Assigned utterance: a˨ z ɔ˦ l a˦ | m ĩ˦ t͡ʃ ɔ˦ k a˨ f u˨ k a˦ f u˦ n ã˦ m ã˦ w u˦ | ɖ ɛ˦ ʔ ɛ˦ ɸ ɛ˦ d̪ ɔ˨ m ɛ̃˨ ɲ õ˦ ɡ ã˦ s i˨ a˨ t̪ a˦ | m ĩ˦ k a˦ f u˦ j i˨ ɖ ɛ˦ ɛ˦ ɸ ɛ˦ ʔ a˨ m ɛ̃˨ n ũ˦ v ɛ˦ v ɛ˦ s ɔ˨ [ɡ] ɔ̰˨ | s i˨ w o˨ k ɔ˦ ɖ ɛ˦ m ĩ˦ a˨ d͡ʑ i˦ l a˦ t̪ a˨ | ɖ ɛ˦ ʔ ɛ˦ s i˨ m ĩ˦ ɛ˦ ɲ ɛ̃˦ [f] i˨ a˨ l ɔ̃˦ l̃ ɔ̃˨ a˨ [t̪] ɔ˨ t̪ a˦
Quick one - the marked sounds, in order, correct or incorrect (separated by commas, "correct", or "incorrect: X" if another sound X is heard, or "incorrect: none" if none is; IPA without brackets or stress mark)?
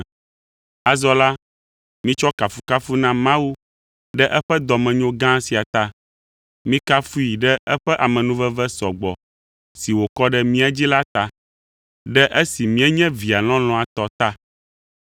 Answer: incorrect: ɡ͡b, incorrect: v, correct